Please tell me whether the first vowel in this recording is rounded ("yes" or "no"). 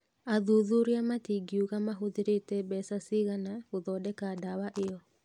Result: no